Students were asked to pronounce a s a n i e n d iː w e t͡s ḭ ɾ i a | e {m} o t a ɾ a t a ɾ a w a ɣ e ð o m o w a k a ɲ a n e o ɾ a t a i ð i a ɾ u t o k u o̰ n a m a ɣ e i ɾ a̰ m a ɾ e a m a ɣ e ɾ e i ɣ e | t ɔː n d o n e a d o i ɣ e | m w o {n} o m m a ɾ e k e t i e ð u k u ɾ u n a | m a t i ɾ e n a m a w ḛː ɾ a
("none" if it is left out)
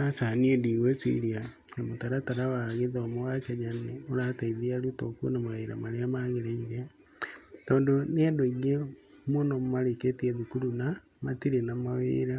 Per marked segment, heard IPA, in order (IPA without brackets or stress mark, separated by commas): m, n